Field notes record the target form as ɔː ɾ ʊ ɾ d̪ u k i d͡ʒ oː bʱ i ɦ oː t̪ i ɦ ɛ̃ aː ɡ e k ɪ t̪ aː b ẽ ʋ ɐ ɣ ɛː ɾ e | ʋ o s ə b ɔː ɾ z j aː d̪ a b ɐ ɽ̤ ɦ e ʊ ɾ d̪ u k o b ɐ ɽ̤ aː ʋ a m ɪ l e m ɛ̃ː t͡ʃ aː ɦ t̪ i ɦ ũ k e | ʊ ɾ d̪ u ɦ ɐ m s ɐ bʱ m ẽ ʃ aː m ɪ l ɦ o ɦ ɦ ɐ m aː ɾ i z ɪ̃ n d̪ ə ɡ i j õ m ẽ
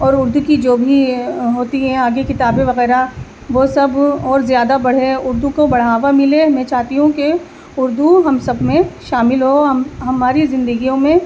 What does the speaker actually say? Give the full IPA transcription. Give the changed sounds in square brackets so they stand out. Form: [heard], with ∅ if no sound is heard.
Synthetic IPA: ɔː ɾ ʊ ɾ d̪ u k i d͡ʒ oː bʱ i ɦ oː t̪ i ɦ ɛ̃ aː ɡ e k ɪ t̪ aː b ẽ ʋ ɐ ɣ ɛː ɾ [a] | ʋ o s [ɐ] b ɔː ɾ z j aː d̪ a b ɐ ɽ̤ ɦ e ʊ ɾ d̪ u k o b ɐ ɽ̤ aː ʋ a m ɪ l e m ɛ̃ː t͡ʃ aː ɦ t̪ i ɦ ũ k e | ʊ ɾ d̪ u ɦ ɐ m s ɐ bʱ m ẽ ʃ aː m ɪ l ɦ o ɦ ɦ ɐ m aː ɾ i z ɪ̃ n d̪ ə ɡ i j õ m ẽ